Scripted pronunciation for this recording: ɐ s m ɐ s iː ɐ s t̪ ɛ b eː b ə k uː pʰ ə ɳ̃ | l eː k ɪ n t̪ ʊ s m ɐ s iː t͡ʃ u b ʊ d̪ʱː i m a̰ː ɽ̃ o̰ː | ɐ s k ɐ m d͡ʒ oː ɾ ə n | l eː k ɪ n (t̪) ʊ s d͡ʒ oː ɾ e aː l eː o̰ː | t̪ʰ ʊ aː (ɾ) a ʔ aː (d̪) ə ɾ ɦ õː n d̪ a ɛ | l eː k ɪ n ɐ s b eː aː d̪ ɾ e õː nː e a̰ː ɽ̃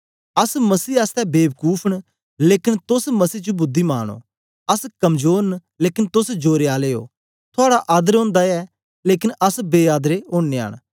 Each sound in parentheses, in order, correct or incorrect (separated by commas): correct, incorrect, correct